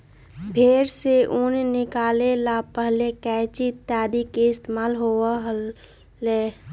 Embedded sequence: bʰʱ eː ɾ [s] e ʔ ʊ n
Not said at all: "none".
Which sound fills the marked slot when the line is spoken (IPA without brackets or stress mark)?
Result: s